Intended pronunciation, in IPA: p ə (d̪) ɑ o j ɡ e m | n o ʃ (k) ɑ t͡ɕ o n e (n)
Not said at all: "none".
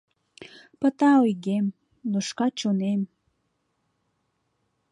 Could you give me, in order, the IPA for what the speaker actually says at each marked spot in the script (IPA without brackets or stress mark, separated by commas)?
t̪, k, m